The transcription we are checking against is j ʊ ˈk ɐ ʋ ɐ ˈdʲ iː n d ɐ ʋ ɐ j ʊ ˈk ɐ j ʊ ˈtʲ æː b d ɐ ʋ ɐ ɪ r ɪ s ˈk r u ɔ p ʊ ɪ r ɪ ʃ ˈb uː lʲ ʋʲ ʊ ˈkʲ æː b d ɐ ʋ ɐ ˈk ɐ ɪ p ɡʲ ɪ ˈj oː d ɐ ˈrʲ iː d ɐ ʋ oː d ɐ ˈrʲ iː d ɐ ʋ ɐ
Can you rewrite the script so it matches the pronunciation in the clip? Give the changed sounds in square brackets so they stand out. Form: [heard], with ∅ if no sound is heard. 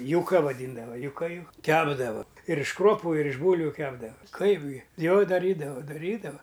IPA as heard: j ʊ ˈk ɐ ʋ ɐ ˈdʲ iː n d ɐ ʋ ɐ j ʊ ˈk ɐ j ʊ [ˈkʲ] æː b d ɐ ʋ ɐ ɪ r ɪ [ʃ] ˈk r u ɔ p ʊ ɪ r ɪ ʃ ˈb uː lʲ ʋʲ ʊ ˈkʲ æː b d ɐ ʋ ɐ ˈk ɐ ɪ p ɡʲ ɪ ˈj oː d ɐ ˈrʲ iː d ɐ ʋ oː d ɐ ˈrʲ iː d ɐ ʋ ɐ